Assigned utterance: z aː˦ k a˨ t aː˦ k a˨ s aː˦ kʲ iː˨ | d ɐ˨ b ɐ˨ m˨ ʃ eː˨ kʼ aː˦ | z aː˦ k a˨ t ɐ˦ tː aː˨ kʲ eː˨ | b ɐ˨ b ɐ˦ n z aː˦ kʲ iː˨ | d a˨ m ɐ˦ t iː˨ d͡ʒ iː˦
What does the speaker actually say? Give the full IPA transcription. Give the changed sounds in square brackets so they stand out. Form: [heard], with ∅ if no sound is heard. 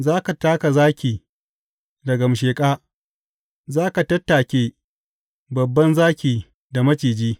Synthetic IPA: z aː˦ k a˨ t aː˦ k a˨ [z] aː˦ kʲ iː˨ | d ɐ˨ [ɡ] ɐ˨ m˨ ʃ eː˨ kʼ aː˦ | z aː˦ k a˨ t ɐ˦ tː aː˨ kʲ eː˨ | b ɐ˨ [bː] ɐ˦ n z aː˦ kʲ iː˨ | d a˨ m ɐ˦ [t͡ʃ] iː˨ d͡ʒ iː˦